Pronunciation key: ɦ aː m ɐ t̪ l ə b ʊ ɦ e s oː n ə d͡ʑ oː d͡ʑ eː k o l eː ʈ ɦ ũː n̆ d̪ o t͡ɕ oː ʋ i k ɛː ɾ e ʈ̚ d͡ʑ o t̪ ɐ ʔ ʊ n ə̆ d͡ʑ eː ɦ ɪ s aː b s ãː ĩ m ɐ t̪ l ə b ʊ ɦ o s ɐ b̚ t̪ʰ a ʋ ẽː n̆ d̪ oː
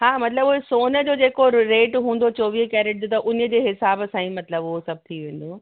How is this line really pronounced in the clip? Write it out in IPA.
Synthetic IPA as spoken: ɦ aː m ɐ t̪ l ə b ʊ ɦ e s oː n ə d͡ʑ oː d͡ʑ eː k o ɾ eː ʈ ɦ ũː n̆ d̪ o t͡ɕ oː ʋ i k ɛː ɾ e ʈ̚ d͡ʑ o t̪ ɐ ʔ ʊ n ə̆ d͡ʑ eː ɦ ɪ s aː b s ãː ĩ m ɐ t̪ l ə b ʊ ɦ o s ɐ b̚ t̪ʰ i ʋ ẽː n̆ d̪ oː